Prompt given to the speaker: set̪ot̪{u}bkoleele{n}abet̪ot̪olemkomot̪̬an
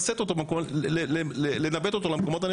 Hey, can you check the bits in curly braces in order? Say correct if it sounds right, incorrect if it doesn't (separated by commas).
incorrect, correct